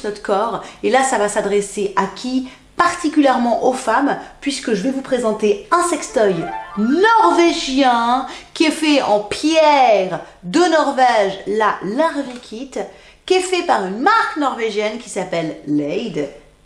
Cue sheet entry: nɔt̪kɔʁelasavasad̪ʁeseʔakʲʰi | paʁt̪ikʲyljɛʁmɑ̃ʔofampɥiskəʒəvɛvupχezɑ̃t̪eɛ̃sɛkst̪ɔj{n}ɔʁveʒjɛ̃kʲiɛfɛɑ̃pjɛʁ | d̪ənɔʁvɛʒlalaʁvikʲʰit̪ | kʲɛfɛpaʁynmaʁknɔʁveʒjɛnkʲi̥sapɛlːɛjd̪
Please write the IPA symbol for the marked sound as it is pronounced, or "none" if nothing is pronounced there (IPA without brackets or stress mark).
n